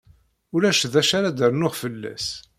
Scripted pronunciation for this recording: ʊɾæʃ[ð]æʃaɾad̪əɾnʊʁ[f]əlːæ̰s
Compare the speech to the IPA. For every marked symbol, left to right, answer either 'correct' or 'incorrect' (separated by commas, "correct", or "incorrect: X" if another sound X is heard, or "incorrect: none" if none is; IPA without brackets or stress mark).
correct, correct